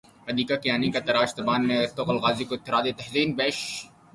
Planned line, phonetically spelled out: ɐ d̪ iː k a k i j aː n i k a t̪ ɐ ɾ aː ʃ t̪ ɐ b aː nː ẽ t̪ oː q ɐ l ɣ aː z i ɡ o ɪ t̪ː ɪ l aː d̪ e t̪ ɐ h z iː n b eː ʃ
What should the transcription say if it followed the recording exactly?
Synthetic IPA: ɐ d̪ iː k a k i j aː n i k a t̪ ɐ ɾ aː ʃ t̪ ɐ b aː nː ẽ t̪ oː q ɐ l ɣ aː z i k o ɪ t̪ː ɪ ɾ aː d̪ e t̪ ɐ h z iː n b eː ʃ